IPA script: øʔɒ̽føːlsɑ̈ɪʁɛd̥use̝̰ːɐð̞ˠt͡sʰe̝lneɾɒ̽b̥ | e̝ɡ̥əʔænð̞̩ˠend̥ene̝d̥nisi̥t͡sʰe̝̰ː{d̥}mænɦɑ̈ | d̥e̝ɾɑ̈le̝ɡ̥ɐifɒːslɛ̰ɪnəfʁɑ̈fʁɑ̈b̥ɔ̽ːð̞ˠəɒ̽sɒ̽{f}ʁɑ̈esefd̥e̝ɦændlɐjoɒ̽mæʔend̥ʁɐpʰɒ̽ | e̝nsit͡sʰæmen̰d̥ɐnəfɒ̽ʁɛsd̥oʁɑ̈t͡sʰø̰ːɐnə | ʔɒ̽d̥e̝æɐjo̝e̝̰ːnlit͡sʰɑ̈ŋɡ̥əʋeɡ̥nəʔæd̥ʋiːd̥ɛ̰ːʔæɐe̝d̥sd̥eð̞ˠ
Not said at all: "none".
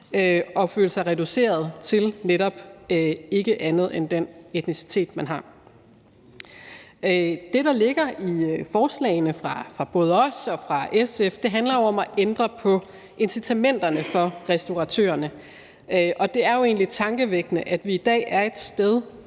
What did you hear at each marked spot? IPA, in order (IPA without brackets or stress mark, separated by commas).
d̥, f